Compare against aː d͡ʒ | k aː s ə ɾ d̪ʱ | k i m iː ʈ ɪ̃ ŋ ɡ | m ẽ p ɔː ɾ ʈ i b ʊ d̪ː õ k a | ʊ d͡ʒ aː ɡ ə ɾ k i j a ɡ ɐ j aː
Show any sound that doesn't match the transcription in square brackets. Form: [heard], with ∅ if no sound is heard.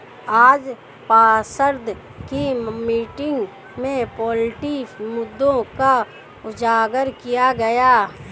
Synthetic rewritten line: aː d͡ʒ | [p] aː s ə ɾ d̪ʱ | k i m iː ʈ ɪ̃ ŋ ɡ | m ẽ p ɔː [l] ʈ i [m] ʊ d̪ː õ k a | ʊ d͡ʒ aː ɡ ə ɾ k i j a ɡ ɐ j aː

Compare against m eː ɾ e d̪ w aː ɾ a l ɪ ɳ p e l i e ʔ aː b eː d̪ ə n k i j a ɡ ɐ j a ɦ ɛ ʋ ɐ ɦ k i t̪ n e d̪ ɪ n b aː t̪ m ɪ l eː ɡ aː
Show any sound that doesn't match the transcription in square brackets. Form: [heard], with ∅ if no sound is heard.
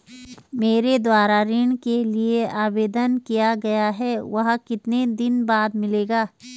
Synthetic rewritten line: m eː ɾ e d̪ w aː ɾ a [ɾ] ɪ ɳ [k] e l i e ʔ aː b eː d̪ ə n k i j a ɡ ɐ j a ɦ ɛ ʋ ɐ ɦ k [ɪ] t̪ n e d̪ ɪ n b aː [d̪] m ɪ l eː ɡ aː

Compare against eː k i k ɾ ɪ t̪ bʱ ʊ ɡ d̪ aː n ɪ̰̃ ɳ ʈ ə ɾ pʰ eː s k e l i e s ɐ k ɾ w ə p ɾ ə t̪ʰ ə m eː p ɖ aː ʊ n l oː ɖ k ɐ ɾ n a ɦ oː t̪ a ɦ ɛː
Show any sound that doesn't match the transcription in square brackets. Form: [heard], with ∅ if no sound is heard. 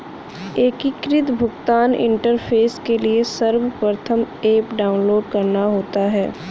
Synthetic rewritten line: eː k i k ɾ ɪ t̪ bʱ ʊ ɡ [t̪] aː n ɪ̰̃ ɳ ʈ ə ɾ pʰ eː s k e l i e s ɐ [∅] ɾ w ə p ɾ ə t̪ʰ ə m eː p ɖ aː ʊ n l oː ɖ k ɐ ɾ n a ɦ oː t̪ a ɦ ɛː

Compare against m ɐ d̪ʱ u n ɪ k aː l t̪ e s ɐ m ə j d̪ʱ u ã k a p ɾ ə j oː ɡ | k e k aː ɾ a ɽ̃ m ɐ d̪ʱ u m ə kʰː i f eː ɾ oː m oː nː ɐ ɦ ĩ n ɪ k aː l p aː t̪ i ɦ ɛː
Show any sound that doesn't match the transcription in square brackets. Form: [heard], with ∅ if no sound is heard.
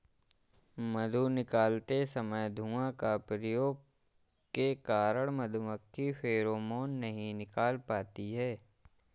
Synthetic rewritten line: m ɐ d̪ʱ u n ɪ k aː l t̪ e s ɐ m ə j d̪ʱ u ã k a p ɾ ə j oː ɡ | k e k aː ɾ [ə] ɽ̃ m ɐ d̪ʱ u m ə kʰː i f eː ɾ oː m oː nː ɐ ɦ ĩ n ɪ k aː l p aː t̪ i ɦ ɛː

